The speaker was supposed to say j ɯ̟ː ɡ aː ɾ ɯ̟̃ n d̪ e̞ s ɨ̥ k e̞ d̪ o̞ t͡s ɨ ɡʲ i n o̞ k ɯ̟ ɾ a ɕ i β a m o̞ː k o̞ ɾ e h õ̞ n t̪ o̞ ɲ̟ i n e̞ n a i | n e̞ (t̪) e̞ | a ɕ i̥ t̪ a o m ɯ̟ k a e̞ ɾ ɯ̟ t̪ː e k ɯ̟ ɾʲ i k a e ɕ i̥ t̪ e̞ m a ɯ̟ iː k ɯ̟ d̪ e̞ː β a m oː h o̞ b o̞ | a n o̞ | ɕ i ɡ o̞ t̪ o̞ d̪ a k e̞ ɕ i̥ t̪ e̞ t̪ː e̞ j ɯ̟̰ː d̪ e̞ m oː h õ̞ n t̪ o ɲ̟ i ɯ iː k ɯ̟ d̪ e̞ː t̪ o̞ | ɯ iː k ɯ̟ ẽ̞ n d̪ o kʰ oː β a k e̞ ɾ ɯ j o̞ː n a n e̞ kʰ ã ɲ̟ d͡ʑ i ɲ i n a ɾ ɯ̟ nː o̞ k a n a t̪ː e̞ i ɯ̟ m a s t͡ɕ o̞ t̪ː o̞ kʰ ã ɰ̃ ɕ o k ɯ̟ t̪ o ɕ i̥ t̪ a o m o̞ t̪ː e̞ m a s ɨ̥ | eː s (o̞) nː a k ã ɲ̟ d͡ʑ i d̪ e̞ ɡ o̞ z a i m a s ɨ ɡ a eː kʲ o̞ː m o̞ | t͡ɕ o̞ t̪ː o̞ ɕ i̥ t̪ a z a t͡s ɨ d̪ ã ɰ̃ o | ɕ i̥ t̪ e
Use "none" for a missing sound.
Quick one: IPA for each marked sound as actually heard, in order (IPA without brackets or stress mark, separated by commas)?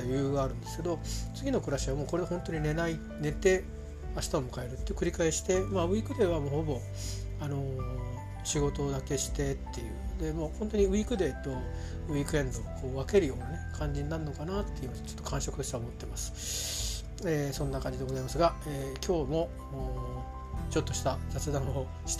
t̪, õ̞